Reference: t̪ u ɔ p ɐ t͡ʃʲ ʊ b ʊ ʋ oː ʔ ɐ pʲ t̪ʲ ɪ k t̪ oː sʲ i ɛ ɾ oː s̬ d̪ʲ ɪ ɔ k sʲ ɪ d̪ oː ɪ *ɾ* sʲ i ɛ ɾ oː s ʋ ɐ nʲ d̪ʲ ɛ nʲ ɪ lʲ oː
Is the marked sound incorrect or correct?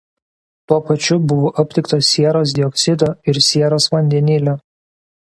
correct